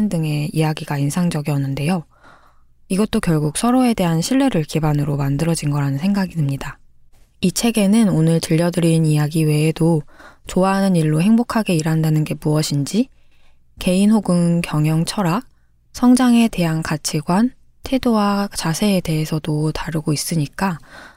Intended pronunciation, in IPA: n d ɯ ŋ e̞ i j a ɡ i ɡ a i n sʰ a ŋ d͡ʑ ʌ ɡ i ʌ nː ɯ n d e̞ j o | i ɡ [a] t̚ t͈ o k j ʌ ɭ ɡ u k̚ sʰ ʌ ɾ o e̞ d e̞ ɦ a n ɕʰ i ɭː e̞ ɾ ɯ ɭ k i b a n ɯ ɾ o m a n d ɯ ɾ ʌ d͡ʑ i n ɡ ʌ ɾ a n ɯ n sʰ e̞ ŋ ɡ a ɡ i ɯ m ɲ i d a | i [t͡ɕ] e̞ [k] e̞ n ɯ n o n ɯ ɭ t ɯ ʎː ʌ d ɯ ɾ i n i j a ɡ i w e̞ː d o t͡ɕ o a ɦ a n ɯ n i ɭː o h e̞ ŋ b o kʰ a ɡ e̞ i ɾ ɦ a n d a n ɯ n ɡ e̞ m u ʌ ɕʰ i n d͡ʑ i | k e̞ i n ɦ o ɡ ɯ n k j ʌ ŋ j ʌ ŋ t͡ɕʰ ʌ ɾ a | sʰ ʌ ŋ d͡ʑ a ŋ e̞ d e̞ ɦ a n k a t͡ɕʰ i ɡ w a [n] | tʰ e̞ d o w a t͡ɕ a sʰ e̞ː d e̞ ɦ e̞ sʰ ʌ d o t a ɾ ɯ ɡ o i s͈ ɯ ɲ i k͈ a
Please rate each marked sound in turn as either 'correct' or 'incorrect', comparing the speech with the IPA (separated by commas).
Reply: incorrect, incorrect, incorrect, correct